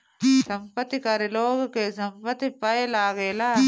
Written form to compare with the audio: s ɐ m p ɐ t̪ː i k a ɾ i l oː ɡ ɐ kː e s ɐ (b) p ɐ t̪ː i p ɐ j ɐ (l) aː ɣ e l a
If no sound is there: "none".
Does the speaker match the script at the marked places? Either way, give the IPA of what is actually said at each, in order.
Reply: m, l

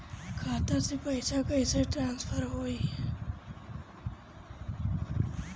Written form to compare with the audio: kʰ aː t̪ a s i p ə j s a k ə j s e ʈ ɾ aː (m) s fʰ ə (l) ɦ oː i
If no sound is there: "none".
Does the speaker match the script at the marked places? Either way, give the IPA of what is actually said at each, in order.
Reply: n, ɾ

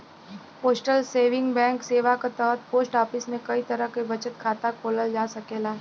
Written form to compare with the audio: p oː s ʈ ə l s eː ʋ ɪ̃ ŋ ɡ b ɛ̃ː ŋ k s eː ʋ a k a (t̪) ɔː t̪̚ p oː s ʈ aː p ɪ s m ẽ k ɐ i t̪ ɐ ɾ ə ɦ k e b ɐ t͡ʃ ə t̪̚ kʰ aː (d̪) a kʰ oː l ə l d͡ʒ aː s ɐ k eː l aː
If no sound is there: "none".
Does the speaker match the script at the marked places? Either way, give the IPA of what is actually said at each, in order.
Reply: t̪, t̪

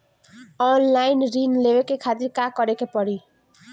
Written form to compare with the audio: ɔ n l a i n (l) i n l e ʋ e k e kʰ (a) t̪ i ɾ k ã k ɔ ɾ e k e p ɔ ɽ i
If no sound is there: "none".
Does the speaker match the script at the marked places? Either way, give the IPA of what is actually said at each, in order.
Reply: ɾ, a

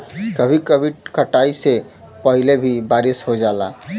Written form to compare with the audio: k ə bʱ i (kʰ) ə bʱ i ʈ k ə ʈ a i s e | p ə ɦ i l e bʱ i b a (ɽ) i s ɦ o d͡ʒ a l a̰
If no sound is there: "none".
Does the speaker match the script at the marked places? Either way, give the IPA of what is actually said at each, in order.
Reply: k, ɾ

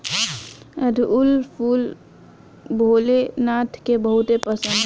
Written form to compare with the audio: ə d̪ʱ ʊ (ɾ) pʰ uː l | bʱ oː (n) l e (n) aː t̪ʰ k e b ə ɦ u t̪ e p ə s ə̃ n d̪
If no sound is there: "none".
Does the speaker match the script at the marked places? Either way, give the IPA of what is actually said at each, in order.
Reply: l, none, n

